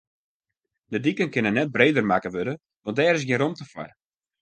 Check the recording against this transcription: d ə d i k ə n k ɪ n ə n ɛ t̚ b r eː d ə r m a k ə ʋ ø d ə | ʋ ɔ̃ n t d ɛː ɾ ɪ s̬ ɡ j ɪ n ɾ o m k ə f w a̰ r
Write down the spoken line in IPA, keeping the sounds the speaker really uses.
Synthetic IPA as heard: d ə d i k ə n k ɪ n ə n ɛ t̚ b r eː d ə r m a k ə ʋ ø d ə | ʋ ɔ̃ n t d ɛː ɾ ɪ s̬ ɡ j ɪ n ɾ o m t ə f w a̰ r